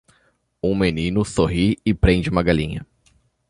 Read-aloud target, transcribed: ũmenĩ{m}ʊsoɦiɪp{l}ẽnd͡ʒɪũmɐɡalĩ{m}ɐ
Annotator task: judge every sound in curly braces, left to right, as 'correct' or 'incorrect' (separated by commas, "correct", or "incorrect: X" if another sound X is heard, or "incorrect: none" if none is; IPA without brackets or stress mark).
incorrect: n, incorrect: ɾ, incorrect: ɲ